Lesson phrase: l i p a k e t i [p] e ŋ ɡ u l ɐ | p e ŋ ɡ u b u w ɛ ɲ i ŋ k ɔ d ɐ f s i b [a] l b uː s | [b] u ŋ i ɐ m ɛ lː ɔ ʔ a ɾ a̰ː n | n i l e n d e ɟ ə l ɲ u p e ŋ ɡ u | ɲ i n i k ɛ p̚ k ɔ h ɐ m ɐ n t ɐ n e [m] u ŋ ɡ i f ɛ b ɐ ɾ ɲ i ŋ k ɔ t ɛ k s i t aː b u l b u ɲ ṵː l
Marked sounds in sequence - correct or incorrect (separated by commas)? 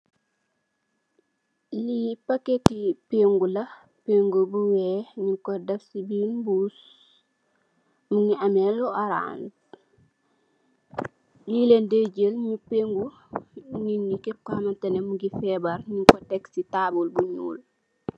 correct, incorrect, incorrect, correct